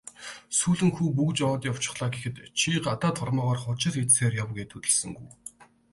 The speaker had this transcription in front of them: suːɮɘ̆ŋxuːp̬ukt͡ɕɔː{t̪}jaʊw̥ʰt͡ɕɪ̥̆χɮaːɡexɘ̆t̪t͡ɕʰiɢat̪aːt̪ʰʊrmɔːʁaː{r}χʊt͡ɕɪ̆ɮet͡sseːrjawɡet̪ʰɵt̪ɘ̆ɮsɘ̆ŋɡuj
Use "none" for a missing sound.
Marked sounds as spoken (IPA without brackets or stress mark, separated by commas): t̪, r